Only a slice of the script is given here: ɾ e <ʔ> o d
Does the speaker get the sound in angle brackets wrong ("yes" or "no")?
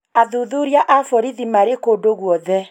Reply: yes